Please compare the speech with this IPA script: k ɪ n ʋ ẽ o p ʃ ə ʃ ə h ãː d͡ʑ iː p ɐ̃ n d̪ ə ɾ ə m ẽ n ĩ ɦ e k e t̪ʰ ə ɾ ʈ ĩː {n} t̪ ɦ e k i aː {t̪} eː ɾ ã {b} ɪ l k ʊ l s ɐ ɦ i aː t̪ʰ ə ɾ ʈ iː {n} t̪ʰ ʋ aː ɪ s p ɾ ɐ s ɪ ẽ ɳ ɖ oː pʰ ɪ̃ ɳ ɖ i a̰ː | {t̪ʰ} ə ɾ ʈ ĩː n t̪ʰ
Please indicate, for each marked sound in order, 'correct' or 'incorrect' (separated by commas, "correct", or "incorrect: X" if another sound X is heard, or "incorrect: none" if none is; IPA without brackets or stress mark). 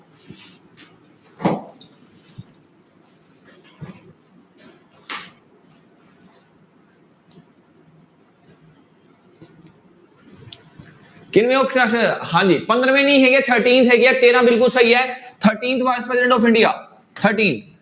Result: correct, correct, correct, correct, correct